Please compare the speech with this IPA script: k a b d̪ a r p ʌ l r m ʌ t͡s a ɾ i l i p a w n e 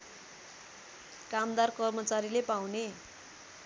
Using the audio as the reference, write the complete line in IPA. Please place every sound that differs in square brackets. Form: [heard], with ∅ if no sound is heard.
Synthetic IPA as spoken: k a [m] d̪ a r [k] ʌ [∅] r m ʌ t͡s a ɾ i l [e] p a w n e